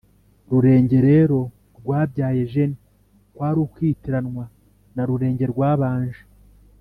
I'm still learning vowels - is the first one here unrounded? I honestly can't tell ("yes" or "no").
no